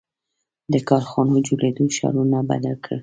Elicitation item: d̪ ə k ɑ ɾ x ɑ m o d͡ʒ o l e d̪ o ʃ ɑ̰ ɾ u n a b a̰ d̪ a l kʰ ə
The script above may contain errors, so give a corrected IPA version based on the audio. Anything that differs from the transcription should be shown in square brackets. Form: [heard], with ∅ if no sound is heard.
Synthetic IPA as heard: d̪ ə k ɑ ɾ x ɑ [n] o d͡ʒ o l e d̪ o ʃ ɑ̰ ɾ u n a b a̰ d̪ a l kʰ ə